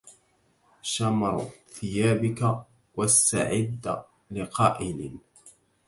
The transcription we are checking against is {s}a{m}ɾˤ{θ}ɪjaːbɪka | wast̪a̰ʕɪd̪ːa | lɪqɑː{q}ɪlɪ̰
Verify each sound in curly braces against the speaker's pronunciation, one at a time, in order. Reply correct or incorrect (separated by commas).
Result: incorrect, correct, correct, incorrect